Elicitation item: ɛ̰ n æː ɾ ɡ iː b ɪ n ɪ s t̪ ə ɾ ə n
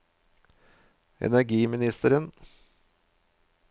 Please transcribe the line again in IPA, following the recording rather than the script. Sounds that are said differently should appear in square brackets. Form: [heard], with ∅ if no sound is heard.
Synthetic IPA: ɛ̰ n [æ] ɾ ɡ iː [m] ɪ n ɪ s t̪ ə ɾ ə n